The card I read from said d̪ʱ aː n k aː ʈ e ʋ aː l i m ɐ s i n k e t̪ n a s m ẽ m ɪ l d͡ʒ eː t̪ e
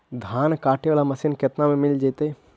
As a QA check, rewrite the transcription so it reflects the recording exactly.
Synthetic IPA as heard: d̪ʱ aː n k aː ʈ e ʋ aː l a m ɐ s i n k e t̪ n a m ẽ m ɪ l d͡ʒ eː t̪ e